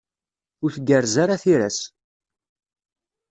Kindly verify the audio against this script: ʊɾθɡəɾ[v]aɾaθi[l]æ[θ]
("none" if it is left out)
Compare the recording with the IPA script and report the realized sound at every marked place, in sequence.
z, ɾ, s

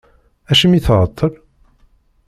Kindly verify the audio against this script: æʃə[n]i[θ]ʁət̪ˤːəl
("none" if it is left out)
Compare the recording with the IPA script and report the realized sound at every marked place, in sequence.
m, θ

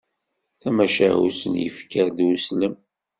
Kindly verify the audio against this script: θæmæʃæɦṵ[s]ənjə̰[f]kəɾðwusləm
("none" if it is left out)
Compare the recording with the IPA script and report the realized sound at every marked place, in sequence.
s, f

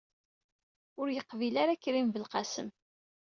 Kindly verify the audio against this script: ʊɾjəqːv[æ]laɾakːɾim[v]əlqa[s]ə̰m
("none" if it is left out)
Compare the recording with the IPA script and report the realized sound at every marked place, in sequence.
i, v, s

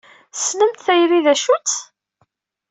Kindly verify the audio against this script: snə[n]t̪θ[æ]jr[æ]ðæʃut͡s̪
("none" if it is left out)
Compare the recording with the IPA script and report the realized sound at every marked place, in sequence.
m, æ, i

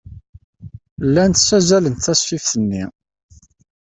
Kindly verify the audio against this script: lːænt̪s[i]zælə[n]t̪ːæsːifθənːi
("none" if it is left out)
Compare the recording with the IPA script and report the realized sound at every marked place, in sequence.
æ, n

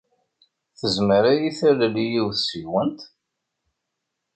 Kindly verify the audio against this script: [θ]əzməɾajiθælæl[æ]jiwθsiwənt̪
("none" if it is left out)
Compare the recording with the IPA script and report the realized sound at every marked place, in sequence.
θ, i

